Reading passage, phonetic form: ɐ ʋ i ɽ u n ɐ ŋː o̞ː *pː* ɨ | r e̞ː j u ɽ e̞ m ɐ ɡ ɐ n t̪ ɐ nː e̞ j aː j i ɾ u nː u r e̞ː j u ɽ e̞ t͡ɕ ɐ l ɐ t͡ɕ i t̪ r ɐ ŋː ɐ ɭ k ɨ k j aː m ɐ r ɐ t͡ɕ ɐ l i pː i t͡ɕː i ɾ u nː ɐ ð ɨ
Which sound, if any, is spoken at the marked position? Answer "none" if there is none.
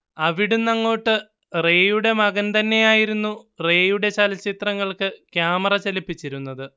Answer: ʈː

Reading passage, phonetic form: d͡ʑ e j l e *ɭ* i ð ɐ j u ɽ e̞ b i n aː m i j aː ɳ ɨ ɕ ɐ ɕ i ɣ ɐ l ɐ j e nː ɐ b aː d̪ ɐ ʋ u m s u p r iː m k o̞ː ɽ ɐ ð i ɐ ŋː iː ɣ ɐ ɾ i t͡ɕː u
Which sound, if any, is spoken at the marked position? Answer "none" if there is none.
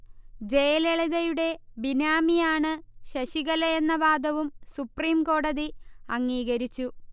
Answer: ɭ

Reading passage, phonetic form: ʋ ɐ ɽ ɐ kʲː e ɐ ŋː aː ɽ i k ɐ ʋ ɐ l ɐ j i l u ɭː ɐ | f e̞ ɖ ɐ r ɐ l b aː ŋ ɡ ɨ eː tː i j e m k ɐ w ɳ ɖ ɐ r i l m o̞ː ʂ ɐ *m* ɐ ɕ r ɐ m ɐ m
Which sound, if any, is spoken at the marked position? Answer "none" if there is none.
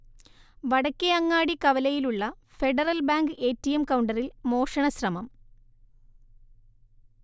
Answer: ɳ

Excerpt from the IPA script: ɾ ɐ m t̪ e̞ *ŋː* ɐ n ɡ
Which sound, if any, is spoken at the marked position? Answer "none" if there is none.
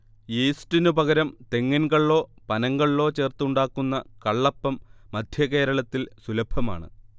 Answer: ŋː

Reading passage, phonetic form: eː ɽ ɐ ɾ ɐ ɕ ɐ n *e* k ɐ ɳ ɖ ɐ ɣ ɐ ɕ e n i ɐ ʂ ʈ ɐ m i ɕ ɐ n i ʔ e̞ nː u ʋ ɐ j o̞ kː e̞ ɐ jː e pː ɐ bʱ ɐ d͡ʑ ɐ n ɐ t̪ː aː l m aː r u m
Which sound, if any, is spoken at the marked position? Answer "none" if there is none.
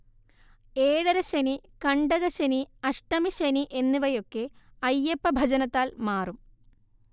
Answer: i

